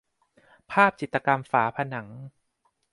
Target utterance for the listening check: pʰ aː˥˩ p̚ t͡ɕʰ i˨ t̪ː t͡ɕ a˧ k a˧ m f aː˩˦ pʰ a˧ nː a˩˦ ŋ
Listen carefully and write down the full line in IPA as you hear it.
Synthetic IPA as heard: pʰ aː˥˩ p̚ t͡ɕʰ i˨ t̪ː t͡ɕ a˧ k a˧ m f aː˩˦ pʰ a˧ n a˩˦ ŋ